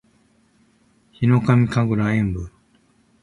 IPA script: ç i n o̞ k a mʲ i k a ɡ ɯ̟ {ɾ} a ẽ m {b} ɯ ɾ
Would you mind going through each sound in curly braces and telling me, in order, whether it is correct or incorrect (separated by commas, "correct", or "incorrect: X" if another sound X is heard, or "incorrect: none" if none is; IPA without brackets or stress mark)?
correct, correct